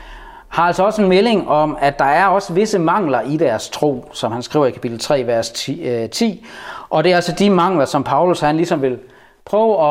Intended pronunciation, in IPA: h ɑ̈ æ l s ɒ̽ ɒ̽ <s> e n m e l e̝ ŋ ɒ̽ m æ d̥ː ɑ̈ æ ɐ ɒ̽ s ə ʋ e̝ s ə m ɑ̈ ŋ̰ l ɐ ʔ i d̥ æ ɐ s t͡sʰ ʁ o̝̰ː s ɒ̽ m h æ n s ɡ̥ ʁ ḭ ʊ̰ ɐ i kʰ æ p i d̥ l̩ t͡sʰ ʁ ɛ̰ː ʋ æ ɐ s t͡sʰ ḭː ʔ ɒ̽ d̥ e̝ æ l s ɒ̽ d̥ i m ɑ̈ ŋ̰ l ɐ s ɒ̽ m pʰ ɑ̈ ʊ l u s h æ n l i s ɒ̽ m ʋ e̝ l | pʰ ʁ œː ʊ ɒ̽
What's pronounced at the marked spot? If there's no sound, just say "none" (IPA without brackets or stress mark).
s